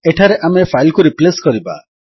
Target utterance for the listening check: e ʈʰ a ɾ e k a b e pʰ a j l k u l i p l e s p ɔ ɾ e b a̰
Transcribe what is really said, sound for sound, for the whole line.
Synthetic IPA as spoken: e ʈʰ a ɾ e ʔ a m e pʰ a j l k u ɾ i p l e s k ɔ ɾ i b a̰